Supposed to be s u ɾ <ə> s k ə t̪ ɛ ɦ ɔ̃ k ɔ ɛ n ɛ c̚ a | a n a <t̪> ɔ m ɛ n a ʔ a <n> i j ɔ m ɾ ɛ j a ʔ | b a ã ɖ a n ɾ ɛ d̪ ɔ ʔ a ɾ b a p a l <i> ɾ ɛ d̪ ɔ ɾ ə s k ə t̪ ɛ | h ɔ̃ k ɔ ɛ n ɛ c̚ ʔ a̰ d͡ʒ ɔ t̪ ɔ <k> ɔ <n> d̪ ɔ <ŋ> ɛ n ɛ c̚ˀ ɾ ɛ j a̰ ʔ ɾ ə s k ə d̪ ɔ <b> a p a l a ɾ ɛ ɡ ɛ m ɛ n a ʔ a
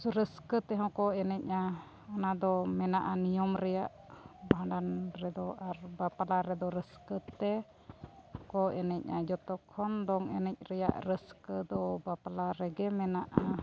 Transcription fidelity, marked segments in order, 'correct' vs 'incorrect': correct, incorrect: d̪, correct, incorrect: a, incorrect: kʰ, correct, correct, correct

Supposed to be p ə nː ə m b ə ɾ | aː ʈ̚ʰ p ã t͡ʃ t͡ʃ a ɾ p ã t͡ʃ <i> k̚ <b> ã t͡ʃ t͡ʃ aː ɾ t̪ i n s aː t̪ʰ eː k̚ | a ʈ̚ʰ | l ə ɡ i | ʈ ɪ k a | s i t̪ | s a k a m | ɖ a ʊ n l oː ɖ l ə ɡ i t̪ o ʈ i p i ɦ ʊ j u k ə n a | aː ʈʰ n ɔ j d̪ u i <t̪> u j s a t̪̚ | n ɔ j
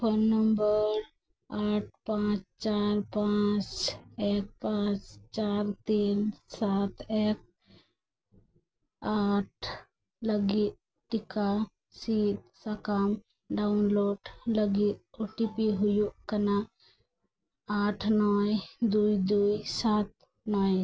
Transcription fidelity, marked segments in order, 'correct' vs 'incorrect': incorrect: e, incorrect: p, incorrect: d̪

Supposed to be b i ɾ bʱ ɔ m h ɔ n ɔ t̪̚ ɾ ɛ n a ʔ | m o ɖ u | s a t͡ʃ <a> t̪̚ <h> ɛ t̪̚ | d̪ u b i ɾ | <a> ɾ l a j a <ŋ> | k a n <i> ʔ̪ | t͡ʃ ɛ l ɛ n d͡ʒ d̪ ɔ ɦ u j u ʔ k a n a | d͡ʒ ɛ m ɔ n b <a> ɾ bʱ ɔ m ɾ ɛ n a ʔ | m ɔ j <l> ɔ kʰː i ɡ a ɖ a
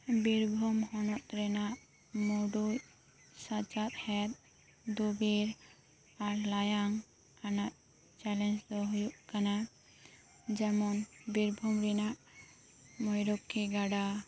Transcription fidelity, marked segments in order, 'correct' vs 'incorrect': correct, correct, correct, correct, incorrect: a, incorrect: i, incorrect: ɾ

